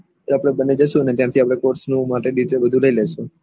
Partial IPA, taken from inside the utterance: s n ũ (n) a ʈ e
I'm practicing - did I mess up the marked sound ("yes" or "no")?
yes